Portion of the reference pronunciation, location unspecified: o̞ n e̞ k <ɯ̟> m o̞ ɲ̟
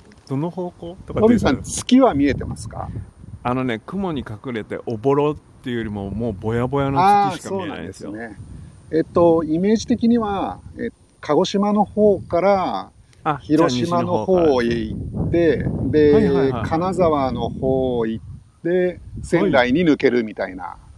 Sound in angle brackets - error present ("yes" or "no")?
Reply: no